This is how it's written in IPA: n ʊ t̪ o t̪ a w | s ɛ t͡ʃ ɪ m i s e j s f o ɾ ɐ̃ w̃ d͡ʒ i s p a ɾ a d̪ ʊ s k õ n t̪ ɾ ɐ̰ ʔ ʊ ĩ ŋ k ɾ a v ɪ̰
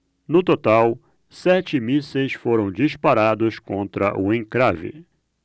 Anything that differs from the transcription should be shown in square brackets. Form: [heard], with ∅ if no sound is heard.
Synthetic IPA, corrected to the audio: n ʊ t̪ o t̪ a w | s ɛ t͡ʃ ɪ m i s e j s f o ɾ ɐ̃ w̃ d͡ʒ i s p a ɾ a d̪ ʊ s k õ n t̪ ɾ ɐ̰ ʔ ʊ [ẽ] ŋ k ɾ a v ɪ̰